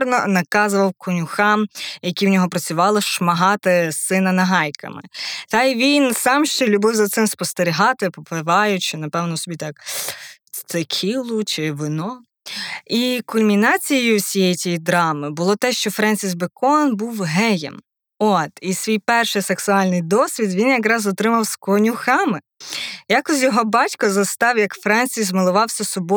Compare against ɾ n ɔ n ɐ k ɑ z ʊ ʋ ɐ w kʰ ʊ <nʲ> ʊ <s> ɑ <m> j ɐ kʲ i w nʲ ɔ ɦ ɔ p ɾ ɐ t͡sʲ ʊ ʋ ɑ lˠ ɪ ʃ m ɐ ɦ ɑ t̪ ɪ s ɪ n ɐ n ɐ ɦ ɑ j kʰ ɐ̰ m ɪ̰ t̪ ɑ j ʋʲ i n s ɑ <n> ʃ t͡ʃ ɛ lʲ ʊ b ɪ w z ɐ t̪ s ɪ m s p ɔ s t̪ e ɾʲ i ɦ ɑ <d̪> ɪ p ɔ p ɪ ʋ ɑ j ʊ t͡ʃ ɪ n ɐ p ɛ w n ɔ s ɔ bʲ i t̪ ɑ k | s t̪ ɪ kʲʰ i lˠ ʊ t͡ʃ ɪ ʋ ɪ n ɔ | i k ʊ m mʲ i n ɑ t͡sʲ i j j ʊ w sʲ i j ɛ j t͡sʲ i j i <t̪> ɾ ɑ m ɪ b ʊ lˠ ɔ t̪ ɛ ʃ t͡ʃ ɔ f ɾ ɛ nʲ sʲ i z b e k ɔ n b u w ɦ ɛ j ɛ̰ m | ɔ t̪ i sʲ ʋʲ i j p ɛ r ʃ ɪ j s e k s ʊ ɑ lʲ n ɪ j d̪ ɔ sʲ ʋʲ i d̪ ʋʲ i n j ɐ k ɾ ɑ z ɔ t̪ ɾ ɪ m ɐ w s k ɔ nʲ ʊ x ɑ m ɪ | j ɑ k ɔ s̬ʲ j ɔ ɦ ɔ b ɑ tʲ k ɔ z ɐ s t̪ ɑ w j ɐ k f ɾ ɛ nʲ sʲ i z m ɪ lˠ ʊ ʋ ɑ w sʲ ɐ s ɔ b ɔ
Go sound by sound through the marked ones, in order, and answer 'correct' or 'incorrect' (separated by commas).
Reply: correct, incorrect, correct, incorrect, incorrect, incorrect